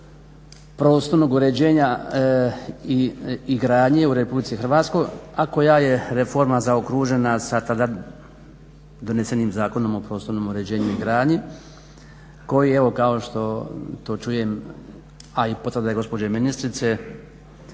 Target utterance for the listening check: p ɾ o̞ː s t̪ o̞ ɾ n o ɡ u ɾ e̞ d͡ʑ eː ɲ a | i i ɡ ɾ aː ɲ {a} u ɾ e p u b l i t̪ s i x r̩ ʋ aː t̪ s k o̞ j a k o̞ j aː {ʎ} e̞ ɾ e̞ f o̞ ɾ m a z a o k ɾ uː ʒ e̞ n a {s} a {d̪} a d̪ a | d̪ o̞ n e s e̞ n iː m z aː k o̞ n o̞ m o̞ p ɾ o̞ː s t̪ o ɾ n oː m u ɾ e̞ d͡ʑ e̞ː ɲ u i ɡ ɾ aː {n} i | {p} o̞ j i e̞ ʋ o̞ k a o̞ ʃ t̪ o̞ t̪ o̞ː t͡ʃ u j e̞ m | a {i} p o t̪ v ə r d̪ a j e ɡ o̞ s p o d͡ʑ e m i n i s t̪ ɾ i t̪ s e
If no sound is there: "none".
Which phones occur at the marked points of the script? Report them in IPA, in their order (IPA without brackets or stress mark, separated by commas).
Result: e, j, s, t̪, ɲ, k, i